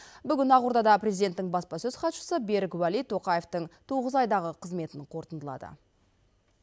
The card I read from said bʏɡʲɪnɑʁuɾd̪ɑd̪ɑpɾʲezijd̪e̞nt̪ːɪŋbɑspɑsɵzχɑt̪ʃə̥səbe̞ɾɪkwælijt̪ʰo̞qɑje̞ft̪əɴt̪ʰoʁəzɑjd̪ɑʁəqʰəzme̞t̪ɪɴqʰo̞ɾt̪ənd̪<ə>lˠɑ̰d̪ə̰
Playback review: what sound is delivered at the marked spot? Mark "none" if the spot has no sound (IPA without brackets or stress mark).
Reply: ə